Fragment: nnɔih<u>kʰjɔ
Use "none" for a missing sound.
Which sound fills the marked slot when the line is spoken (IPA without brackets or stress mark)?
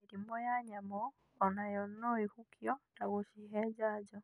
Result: u